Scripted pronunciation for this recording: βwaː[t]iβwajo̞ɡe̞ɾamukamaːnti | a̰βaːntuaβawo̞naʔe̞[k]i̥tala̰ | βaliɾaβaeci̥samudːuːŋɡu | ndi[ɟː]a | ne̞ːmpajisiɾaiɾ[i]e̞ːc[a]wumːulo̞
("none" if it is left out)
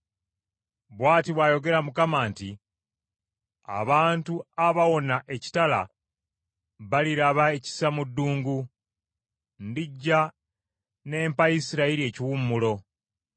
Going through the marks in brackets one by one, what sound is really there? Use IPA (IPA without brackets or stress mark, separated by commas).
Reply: t, c, ɟː, i, i